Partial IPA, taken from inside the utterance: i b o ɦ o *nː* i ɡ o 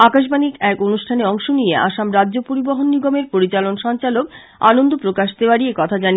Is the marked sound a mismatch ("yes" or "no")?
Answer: no